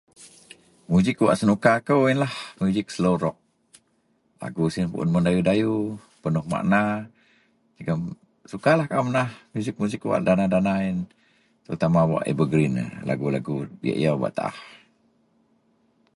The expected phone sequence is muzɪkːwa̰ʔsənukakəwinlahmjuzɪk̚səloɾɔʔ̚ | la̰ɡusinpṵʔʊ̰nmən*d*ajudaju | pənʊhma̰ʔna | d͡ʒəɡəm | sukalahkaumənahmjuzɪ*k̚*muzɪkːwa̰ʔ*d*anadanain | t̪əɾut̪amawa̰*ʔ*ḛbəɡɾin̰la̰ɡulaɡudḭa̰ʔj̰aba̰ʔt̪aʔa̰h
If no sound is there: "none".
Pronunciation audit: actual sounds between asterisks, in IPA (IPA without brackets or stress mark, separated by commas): d, k̚, d, ʔ